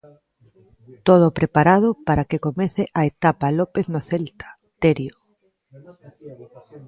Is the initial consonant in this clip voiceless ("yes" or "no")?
yes